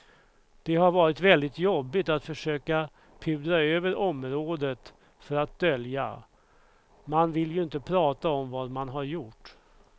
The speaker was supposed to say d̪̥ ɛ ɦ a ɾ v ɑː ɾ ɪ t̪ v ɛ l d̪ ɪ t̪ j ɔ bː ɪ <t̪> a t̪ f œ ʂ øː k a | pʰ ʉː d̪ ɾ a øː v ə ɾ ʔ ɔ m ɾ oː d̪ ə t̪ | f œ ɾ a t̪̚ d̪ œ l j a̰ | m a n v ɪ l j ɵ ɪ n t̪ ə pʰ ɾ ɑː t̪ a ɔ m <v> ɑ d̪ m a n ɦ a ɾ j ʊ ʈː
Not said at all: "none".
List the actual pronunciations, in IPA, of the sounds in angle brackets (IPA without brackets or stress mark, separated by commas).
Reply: t̪, v